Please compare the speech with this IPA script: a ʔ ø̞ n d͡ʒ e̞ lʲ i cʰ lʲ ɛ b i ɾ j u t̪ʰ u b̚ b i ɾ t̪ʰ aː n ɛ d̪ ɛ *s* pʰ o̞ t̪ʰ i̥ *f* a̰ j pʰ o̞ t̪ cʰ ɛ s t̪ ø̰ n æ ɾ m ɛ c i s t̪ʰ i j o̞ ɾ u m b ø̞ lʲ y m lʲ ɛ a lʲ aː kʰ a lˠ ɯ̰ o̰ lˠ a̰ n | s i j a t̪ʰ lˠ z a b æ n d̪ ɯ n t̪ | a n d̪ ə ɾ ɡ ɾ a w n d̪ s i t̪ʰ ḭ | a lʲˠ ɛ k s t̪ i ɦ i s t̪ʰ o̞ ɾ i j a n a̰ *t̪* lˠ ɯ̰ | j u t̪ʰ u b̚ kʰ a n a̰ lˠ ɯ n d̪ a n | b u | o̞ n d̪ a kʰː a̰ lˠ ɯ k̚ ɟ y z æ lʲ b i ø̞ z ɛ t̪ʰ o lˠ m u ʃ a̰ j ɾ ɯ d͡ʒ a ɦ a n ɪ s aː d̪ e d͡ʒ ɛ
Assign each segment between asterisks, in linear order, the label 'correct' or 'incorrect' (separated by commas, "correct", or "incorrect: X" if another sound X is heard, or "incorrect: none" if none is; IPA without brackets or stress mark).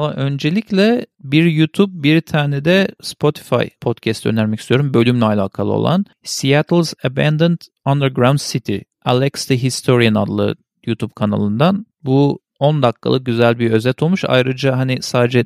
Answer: correct, correct, incorrect: d̪